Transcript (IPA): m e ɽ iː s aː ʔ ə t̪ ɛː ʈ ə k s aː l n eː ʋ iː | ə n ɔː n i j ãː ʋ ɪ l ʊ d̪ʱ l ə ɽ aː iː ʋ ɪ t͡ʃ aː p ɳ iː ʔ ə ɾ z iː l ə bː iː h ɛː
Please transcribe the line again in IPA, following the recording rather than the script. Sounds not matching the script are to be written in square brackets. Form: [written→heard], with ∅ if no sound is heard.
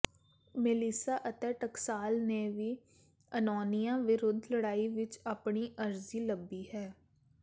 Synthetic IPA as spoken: m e [ɽ→l] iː s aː ʔ ə t̪ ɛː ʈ ə k s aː l n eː ʋ iː | ə n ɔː n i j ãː ʋ ɪ [l→ɾ] ʊ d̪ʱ l ə ɽ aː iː ʋ ɪ t͡ʃ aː p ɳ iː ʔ ə ɾ z iː l ə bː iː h ɛː